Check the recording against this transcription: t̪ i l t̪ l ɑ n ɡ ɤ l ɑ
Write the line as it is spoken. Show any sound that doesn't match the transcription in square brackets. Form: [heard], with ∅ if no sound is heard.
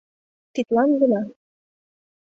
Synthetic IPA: t̪ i [∅] t̪ l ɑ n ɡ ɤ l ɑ